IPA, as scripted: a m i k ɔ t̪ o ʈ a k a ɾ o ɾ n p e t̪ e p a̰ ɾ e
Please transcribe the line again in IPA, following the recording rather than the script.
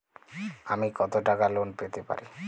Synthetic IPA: a m i k ɔ t̪ o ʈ a k a l o n p e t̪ e p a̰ ɾ i